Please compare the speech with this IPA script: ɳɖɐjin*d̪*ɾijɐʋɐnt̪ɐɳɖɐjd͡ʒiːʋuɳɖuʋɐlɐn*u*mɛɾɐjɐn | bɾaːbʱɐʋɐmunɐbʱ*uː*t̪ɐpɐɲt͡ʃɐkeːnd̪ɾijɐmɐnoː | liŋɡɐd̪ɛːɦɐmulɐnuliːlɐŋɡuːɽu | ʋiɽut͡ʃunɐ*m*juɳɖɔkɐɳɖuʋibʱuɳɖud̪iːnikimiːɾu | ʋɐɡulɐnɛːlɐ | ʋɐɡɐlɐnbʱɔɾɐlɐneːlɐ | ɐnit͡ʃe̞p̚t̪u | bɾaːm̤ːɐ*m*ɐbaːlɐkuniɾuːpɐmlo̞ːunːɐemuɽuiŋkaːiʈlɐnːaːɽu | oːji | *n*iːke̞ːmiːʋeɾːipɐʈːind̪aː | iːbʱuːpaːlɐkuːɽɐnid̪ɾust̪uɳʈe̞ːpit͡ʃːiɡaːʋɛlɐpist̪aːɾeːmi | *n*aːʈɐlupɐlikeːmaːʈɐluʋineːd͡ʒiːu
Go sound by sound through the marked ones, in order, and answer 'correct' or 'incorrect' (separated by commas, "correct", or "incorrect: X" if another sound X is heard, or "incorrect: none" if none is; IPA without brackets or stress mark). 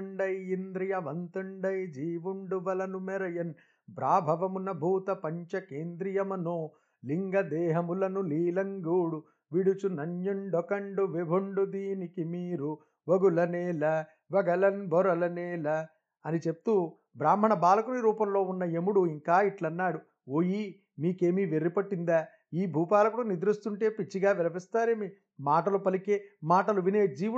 correct, correct, correct, incorrect: ɲ, incorrect: ɳ, incorrect: m, incorrect: m